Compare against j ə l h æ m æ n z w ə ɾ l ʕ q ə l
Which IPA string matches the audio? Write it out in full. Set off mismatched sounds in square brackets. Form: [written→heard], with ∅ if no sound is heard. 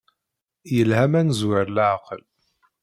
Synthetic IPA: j ə l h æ m æ n z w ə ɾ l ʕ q ə l